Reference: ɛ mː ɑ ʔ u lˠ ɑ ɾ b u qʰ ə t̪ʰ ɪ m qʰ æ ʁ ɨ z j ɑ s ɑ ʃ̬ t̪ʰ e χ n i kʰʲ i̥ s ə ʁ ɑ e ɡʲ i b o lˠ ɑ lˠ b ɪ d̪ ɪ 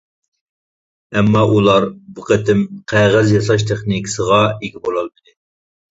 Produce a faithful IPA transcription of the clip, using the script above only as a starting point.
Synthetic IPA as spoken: ɛ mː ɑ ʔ u lˠ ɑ ɾ b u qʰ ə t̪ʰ ɪ m qʰ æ ʁ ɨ z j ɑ s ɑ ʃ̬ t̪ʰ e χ n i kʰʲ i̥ s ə ʁ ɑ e ɡʲ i b o lˠ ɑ lˠ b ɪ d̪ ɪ